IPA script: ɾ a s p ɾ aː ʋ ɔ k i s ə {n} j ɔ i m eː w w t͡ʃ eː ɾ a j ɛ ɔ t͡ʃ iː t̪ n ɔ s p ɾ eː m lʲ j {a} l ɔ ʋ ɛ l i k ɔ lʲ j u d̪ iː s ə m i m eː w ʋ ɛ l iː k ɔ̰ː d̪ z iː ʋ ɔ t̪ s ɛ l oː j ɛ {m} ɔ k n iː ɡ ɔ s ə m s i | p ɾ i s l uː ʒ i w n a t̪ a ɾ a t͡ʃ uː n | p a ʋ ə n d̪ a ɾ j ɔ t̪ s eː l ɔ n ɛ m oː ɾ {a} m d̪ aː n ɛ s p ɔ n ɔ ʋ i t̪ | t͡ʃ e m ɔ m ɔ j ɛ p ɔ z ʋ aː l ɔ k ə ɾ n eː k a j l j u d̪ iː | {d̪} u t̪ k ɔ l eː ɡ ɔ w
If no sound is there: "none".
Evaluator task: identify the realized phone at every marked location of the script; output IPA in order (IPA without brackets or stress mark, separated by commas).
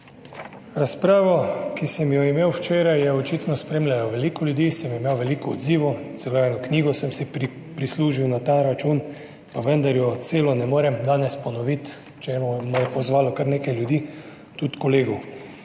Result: m, a, n, ɛ, t̪